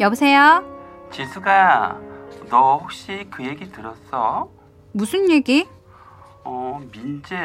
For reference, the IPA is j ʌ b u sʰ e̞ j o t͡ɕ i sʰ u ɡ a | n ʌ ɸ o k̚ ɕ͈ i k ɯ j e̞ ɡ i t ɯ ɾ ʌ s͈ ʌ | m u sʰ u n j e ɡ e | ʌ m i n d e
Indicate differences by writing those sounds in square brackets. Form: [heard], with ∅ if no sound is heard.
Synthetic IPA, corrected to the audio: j ʌ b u sʰ e̞ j o t͡ɕ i sʰ u ɡ a | n ʌ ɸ o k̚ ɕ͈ i k ɯ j e̞ ɡ i t ɯ ɾ ʌ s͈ ʌ | m u sʰ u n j e ɡ [i] | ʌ m i n [d͡ʑ] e